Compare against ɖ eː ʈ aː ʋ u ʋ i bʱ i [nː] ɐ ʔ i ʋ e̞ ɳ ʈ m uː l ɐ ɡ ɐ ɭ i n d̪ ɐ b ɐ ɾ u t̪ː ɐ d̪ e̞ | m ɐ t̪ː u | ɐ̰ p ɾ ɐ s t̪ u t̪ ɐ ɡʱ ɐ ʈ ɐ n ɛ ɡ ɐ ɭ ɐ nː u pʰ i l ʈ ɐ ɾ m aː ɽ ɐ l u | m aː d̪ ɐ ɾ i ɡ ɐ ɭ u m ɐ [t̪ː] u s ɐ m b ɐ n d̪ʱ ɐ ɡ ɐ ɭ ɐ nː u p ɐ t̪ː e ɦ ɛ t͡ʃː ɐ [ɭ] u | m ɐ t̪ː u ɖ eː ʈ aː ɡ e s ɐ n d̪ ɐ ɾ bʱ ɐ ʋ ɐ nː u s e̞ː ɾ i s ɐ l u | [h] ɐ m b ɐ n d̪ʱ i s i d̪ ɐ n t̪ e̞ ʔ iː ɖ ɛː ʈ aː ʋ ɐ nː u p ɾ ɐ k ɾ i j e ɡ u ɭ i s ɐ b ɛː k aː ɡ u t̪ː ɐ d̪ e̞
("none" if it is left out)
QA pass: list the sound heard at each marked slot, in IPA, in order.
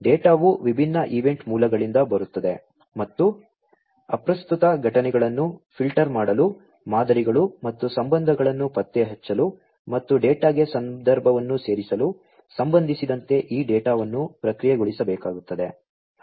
nː, t̪ː, l, s

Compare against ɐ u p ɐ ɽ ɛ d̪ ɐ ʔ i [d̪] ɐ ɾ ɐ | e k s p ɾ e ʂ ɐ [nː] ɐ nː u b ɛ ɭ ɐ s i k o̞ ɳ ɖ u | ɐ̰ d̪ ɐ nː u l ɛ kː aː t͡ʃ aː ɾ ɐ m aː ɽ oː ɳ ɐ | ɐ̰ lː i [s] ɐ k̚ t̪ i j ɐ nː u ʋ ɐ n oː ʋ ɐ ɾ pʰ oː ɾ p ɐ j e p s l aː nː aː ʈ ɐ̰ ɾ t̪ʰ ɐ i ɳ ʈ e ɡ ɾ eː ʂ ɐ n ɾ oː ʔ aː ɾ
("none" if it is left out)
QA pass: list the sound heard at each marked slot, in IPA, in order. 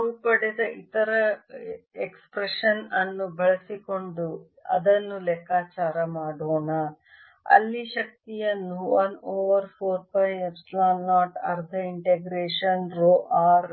t̪, n, ʃ

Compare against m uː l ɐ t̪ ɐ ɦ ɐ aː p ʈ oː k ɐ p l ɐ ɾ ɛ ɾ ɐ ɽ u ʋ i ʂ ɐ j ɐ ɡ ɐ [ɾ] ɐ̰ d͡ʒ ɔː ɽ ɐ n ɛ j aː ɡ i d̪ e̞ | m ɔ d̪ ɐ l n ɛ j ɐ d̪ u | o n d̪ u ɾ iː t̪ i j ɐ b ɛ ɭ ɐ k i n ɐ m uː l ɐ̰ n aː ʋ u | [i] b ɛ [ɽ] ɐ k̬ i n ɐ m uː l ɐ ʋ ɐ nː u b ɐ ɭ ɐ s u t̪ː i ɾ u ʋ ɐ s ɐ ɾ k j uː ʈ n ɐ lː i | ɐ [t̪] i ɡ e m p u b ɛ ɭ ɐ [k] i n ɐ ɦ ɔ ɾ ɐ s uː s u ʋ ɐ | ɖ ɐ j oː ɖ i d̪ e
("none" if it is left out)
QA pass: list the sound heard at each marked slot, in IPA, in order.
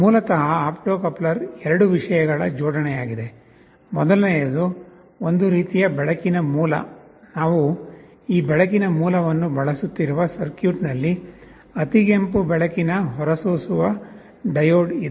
ɭ, iː, ɭ, t̪, k

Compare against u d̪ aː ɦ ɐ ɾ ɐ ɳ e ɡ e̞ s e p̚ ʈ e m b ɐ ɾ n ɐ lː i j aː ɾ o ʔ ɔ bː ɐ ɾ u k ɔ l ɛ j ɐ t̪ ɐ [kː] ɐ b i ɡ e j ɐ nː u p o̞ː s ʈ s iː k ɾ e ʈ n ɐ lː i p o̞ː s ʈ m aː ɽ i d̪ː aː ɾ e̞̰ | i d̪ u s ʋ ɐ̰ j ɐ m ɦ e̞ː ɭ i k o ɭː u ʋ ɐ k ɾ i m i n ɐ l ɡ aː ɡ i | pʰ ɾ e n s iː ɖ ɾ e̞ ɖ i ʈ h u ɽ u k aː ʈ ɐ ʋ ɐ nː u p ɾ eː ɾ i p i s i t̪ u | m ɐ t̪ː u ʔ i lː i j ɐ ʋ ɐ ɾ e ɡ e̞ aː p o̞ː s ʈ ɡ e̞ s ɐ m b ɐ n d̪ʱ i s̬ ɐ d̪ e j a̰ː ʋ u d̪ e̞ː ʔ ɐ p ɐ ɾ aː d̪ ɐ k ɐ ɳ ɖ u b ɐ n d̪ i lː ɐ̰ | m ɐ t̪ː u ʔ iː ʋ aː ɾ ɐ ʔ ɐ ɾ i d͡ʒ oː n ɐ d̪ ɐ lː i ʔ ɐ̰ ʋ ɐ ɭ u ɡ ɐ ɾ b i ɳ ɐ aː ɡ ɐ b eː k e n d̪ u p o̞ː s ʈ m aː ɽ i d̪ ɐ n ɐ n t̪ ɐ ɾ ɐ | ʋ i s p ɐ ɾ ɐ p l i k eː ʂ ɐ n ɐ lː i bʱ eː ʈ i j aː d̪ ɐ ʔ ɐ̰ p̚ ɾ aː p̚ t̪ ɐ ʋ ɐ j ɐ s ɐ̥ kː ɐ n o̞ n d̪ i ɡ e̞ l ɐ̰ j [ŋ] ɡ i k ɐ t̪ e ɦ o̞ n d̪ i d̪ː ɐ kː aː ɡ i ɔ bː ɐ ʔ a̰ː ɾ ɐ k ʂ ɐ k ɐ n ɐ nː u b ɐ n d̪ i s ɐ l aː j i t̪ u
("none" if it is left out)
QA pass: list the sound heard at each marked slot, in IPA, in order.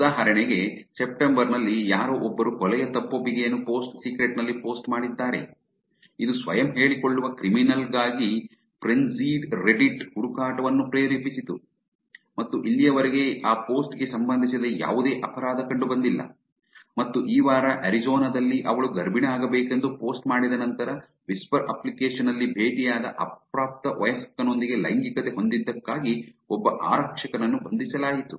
pː, ŋ

